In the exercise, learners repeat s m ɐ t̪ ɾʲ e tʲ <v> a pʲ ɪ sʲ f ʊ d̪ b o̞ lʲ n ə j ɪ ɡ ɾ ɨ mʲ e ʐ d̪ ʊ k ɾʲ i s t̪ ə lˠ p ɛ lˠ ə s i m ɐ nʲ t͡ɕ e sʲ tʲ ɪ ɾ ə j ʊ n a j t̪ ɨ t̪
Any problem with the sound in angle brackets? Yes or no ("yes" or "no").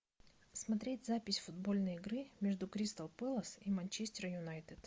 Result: yes